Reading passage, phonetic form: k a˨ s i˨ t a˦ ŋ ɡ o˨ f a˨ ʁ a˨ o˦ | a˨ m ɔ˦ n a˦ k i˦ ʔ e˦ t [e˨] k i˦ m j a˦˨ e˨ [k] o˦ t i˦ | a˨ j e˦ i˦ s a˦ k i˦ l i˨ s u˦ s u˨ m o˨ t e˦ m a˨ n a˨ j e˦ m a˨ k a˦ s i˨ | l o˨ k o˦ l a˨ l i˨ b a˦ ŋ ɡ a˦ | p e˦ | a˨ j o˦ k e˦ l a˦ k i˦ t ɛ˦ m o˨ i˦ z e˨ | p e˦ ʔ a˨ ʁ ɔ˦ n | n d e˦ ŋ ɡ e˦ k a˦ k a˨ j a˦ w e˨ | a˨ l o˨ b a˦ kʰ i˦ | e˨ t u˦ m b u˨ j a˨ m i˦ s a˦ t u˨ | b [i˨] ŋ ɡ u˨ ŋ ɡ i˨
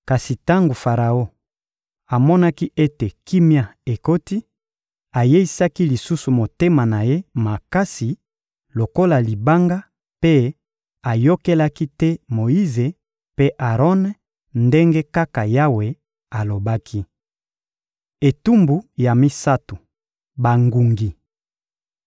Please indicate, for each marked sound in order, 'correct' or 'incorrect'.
correct, correct, incorrect: a˨

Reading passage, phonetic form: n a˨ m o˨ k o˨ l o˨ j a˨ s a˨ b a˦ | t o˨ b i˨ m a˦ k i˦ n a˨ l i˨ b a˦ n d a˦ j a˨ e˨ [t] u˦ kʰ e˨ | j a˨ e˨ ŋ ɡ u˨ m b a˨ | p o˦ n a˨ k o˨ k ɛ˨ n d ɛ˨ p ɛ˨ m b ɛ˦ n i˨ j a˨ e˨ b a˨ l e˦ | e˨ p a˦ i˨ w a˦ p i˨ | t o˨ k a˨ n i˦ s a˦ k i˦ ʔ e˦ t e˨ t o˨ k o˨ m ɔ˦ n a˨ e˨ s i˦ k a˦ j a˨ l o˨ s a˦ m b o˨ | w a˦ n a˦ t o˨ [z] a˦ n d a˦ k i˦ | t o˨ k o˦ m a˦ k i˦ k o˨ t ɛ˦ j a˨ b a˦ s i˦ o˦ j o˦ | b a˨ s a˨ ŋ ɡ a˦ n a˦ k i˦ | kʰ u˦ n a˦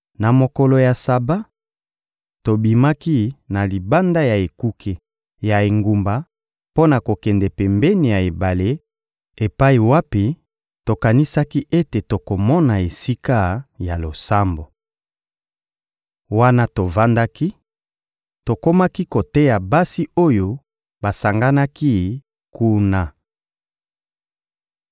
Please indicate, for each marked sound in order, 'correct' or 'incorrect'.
incorrect: k, incorrect: v

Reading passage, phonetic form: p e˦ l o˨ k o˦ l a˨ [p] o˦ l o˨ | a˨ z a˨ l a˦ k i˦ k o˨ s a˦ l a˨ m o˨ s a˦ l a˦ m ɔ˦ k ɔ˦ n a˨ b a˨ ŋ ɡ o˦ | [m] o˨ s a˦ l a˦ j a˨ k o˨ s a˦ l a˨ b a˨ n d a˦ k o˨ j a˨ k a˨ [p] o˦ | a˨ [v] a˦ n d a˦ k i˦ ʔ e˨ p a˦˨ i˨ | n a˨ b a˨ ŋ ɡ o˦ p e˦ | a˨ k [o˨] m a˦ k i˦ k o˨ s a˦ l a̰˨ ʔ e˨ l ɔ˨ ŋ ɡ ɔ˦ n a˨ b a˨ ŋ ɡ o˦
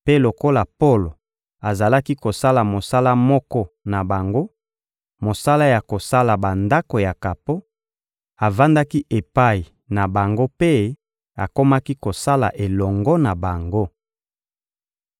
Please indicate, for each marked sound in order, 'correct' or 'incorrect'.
correct, correct, correct, correct, incorrect: o˦

